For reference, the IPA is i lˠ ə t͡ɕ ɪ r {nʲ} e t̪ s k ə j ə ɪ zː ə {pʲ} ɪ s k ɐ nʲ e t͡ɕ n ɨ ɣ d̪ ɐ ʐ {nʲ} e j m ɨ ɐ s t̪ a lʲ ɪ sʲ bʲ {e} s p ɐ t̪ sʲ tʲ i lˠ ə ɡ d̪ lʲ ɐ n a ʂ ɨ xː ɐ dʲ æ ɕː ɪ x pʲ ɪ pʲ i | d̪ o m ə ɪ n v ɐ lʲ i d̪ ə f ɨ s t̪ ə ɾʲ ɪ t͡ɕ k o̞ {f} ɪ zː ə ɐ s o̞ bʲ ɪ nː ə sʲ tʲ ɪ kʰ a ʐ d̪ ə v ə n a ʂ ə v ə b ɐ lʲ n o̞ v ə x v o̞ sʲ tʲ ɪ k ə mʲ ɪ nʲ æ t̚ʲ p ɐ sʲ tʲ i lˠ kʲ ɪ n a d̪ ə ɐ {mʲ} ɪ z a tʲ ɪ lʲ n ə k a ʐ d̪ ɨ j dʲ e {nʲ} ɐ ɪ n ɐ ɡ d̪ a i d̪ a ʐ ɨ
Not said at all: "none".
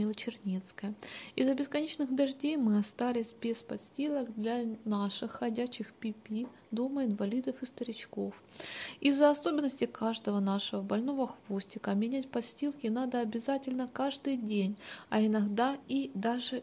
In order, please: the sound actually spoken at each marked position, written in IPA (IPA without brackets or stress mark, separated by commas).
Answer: nʲ, bʲ, dʲ, e, f, bʲ, nʲ